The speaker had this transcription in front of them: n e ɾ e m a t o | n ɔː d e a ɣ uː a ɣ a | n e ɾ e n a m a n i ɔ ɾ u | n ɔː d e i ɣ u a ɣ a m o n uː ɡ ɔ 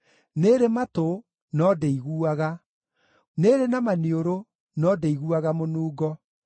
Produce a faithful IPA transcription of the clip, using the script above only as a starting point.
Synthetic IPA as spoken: n e ɾ e m a t o | n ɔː d e i ɣ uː a ɣ a | n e ɾ e n a m a n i o ɾ o | n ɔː d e i ɣ u a ɣ a m o n uː ɡ ɔ